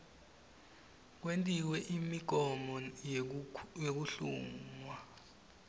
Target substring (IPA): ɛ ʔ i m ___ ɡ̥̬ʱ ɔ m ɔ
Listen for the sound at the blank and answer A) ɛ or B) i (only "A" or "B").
B